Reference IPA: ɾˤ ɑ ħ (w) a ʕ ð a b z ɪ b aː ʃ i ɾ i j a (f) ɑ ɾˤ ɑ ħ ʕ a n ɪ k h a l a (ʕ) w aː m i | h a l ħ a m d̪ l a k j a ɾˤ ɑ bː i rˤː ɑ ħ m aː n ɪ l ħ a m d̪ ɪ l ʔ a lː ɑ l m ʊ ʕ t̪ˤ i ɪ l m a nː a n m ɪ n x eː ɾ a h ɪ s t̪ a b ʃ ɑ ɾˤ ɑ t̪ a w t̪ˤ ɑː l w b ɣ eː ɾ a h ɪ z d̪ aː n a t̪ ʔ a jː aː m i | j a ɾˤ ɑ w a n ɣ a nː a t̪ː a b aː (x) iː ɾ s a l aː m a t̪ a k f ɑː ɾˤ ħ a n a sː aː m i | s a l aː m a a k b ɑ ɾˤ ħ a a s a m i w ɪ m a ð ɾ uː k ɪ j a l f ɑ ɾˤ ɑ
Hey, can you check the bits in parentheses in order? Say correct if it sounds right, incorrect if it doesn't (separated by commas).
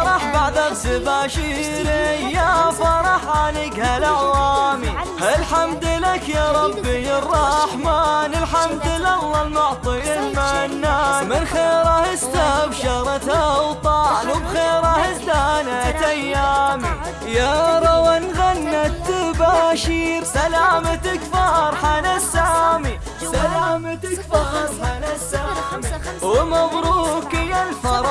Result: incorrect, correct, correct, incorrect